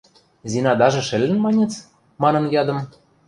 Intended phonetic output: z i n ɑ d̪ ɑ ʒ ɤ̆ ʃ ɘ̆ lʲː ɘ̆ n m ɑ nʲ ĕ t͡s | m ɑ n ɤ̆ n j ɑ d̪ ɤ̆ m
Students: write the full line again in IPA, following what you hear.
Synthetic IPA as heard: z i n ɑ d̪ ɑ ʒ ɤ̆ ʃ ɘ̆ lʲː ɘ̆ n m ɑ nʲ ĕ t͡s | m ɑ n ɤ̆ n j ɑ d̪ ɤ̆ m